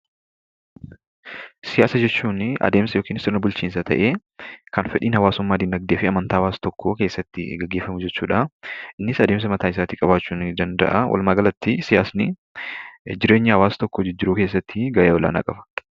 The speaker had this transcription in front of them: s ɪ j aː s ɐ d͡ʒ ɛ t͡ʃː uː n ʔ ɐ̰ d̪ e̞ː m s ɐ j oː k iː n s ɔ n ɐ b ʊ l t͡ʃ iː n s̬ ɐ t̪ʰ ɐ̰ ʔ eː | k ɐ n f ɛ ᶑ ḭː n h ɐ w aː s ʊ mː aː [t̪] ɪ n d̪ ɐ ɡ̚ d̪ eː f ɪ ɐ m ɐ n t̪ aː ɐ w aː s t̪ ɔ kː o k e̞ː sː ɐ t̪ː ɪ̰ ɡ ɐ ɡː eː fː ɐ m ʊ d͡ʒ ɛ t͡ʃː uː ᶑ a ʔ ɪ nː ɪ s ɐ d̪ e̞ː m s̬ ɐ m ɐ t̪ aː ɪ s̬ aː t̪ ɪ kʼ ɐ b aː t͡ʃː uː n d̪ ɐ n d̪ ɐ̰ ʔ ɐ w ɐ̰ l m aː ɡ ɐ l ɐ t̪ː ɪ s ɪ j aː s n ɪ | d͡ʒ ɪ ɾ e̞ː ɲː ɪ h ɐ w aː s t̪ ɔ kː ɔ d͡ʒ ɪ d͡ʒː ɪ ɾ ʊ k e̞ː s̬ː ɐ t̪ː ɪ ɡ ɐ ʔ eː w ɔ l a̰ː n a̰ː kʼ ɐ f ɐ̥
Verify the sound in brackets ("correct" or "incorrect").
incorrect